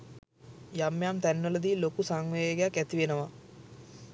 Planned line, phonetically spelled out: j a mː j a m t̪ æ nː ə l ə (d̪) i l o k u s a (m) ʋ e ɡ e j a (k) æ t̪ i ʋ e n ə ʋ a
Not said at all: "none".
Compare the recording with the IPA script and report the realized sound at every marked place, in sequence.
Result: d̪, ŋ, k

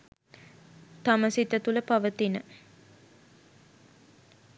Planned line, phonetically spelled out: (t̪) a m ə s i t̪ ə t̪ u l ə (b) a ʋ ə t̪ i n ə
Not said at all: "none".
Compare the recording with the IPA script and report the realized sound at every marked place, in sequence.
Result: t̪, p

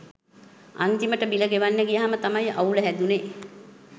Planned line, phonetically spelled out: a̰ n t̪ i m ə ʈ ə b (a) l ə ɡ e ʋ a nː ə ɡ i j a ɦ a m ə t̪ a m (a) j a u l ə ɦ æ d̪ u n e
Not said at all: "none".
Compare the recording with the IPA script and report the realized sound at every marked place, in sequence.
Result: i, a

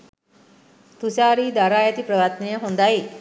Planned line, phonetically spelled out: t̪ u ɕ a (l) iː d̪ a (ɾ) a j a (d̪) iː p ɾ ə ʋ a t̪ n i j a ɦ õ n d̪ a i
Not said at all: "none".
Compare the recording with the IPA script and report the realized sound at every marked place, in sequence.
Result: ɾ, ɾ, t̪

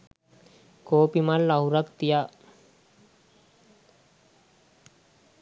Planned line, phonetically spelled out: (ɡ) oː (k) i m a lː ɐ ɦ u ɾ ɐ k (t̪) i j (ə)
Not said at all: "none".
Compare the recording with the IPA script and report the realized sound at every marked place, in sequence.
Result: k, p, t̪, a

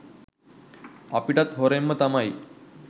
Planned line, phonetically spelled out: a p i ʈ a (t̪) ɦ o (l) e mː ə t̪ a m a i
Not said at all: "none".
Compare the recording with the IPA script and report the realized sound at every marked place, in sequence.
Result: t̪, ɾ

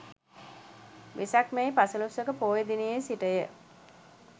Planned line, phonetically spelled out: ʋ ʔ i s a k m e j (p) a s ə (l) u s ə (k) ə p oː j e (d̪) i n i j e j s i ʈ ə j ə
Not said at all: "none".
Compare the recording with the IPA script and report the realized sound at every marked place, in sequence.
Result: p, l, k, d̪

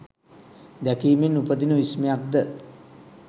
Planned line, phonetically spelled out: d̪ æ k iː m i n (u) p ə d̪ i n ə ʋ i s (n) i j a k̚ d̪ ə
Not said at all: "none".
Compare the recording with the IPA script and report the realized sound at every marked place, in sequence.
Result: u, m

